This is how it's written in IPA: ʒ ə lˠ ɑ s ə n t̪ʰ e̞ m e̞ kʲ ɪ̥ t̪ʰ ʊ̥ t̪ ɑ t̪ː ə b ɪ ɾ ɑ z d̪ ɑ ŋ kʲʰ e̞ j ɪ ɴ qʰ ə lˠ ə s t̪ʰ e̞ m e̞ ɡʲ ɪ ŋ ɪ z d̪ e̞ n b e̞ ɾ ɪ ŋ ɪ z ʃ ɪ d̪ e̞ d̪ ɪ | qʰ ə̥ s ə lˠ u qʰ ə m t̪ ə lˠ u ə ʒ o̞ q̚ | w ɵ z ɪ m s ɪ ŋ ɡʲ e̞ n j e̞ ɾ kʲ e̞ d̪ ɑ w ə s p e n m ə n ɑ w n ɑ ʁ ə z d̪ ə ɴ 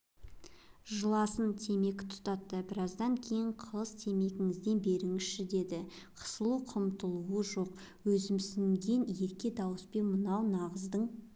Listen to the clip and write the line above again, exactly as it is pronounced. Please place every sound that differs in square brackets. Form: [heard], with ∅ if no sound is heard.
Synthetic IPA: ʒ ə lˠ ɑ s ə n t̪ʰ e̞ m e̞ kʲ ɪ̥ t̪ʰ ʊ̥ t̪ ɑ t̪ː ə b ɪ ɾ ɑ z d̪ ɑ ŋ kʲʰ e̞ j ɪ ɴ qʰ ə lˠ ə s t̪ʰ e̞ m e̞ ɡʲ ɪ ŋ ɪ z d̪ e̞ n b e̞ ɾ ɪ ŋ ɪ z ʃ ɪ d̪ e̞ d̪ ɪ | qʰ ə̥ s ə lˠ u qʰ ə m t̪ ə lˠ u ə ʒ o̞ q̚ | w ɵ z ɪ m s ɪ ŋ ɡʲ e̞ n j e̞ ɾ kʲ e̞ d̪ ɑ w ə s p e n m ə n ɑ w n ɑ ʁ ə z d̪ ə ɴ